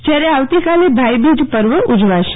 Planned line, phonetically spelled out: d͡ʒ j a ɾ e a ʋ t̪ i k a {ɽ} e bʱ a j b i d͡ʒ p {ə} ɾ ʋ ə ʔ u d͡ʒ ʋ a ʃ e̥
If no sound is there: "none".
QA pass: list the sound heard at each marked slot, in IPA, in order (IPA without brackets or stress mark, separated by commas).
l, ə